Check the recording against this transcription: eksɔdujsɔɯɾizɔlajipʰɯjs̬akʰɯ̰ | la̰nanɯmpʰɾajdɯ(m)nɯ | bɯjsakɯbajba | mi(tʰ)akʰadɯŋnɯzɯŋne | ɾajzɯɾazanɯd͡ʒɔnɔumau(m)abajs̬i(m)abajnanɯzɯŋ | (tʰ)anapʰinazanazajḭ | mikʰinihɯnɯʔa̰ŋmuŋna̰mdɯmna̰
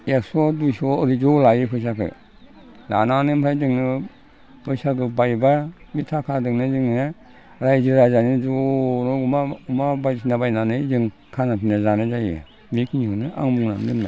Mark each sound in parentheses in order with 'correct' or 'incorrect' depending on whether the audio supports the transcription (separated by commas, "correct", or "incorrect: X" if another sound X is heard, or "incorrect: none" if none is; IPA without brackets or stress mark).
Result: incorrect: ŋ, correct, correct, incorrect: n, incorrect: kʰ